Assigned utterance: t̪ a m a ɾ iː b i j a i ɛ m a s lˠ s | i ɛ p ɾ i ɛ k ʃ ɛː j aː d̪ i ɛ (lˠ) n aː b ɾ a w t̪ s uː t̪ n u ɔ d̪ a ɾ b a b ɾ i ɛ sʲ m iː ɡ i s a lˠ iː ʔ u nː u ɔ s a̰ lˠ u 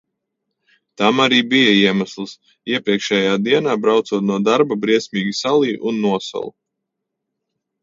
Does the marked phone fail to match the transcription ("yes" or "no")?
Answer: yes